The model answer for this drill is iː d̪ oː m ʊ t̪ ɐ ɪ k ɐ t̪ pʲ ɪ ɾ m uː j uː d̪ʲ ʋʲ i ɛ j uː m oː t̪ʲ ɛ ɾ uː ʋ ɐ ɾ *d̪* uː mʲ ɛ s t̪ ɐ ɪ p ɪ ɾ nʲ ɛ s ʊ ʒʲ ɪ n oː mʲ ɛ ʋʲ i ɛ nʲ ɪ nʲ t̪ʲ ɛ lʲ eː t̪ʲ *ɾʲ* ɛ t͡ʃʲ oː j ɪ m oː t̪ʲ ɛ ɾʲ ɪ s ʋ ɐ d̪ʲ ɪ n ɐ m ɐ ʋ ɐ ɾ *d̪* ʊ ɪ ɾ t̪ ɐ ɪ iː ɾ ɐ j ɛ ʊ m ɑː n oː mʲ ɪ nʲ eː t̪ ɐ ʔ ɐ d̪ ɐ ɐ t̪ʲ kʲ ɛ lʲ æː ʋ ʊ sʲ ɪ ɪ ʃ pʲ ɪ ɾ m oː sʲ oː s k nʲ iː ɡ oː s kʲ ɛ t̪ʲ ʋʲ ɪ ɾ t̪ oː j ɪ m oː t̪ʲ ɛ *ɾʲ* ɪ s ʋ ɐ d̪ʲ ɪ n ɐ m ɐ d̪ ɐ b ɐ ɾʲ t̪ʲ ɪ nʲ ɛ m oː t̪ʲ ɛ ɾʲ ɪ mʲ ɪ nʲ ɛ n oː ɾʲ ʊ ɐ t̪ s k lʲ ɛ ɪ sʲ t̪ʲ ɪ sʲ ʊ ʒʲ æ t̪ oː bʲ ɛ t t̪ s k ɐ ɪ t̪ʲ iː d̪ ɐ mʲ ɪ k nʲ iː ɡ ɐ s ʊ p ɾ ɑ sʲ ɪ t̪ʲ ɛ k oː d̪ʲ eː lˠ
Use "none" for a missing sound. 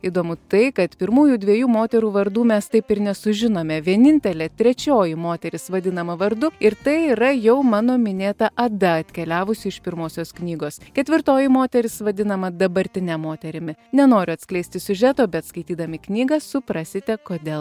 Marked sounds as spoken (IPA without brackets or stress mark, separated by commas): d̪, ɾʲ, d̪, ɾʲ